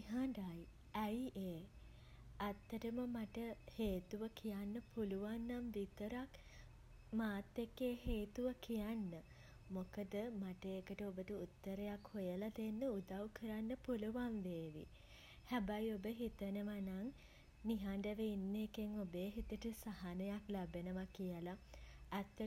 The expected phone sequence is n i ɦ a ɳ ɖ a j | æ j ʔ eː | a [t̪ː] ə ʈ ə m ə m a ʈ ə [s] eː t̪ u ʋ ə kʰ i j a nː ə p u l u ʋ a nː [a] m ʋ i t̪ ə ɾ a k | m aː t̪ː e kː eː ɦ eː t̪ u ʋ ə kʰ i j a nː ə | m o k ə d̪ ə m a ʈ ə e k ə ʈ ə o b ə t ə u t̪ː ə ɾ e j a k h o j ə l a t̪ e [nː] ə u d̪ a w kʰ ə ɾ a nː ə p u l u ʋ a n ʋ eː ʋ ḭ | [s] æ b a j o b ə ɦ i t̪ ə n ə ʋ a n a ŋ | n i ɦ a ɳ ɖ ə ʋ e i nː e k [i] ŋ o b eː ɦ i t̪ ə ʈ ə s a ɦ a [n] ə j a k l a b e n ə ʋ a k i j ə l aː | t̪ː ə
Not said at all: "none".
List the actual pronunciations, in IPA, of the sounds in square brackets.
t̪ː, h, a, nː, h, e, n

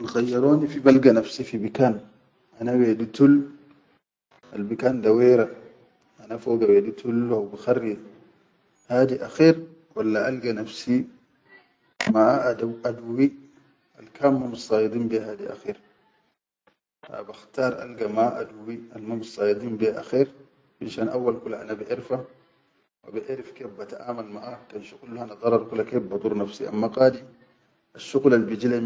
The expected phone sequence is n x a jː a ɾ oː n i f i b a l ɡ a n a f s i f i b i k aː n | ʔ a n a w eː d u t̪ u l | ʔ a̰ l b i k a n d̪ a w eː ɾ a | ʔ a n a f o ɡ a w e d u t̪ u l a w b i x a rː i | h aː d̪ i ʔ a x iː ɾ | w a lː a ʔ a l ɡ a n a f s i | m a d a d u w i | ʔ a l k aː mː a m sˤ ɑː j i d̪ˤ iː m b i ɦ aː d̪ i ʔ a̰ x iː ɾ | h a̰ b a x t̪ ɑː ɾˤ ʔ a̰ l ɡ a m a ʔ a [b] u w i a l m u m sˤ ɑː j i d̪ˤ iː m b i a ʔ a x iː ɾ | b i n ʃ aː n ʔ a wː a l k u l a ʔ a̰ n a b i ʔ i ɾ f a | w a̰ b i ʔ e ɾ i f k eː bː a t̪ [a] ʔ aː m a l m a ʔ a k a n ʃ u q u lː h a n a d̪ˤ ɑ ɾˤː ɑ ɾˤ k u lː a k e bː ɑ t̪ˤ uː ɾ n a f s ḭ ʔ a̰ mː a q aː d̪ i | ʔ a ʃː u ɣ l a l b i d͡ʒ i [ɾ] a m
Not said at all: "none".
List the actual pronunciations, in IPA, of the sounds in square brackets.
d, a, l

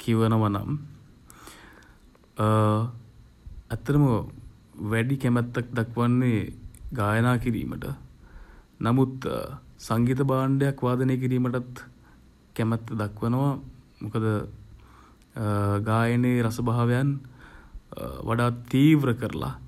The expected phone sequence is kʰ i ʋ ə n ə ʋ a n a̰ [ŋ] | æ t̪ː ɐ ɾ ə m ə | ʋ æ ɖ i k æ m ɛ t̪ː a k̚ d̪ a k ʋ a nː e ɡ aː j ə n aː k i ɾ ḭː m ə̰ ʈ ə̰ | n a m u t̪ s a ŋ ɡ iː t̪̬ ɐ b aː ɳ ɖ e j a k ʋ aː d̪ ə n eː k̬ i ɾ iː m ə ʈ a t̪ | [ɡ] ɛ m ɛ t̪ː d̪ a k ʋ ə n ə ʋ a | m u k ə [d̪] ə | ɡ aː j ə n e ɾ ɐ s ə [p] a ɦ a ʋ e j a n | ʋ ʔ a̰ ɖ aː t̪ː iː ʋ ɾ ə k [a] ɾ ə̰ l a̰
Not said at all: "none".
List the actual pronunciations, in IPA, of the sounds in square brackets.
m, k, d̪, b, ə

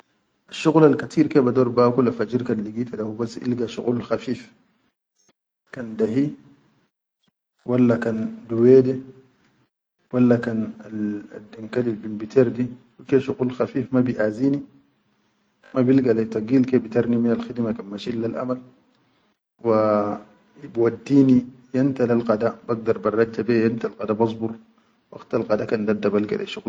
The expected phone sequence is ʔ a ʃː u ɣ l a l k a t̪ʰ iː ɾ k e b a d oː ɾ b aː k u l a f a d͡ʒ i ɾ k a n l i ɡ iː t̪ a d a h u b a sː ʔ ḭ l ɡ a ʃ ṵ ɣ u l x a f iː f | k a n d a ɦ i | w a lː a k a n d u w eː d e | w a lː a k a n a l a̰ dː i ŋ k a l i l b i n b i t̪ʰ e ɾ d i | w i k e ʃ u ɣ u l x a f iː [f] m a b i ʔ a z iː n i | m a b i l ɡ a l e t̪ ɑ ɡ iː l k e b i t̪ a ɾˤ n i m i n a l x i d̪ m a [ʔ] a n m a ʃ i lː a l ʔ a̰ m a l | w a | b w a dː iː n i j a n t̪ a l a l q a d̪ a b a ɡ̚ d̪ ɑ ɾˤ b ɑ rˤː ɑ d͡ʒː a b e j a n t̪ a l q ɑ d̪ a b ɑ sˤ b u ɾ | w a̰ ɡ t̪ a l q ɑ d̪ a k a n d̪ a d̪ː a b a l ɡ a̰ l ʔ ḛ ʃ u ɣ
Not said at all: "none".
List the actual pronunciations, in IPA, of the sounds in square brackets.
f, k

